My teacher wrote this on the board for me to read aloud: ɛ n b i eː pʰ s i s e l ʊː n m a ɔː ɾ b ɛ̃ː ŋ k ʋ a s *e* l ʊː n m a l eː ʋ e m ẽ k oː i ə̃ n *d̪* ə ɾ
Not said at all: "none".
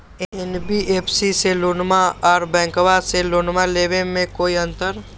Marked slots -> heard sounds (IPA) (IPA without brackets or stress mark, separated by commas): e, t̪